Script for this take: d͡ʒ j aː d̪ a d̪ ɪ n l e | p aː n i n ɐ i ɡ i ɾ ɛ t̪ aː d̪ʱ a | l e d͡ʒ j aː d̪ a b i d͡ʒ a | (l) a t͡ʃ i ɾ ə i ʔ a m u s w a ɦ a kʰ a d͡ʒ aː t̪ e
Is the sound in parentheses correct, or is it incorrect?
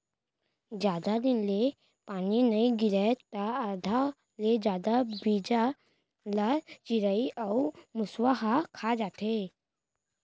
correct